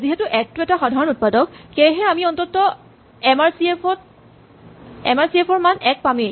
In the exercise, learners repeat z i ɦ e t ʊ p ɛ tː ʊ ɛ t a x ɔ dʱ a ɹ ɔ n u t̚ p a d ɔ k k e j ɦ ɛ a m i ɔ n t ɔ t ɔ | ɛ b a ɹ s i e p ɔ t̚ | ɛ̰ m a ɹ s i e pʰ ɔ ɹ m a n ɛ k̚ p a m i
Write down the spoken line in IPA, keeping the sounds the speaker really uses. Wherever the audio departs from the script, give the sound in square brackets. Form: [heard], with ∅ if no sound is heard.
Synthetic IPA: z i ɦ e t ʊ [ʔ] ɛ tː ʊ ɛ t a x ɔ dʱ a ɹ ɔ n u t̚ p a d ɔ k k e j ɦ ɛ a m i ɔ n t ɔ t ɔ | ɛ [m] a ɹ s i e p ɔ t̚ | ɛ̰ m a ɹ s i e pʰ ɔ ɹ m a n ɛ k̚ p a m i